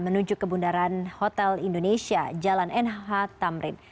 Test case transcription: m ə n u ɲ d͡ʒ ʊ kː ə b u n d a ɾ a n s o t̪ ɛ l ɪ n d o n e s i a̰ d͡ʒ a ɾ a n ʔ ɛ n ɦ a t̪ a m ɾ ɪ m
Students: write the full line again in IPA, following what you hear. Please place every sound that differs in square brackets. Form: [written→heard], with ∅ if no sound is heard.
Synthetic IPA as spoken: m ə n u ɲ d͡ʒ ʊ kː ə b u n d a ɾ a n [s→h] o t̪ ɛ l [ɪ→i] n d o n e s i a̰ d͡ʒ a [ɾ→l] a n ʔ ɛ n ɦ a t̪ a m ɾ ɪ [m→n]